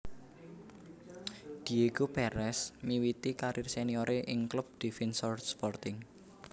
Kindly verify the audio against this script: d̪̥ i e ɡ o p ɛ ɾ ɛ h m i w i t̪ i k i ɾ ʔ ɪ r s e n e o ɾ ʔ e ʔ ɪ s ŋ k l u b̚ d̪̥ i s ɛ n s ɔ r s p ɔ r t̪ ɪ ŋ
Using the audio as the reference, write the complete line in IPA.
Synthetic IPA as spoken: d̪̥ i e ɡ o p ɛ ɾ ɛ s m i w i t̪ i k a ɾ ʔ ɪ r s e n i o ɾ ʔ e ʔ ɪ ŋ k l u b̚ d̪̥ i f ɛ n s ɔ r s p ɔ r t̪ ɪ ŋ